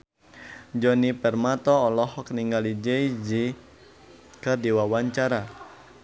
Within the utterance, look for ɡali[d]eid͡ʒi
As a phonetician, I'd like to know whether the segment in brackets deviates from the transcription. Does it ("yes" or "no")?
yes